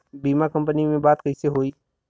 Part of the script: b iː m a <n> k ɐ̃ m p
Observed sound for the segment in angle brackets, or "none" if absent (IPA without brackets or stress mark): none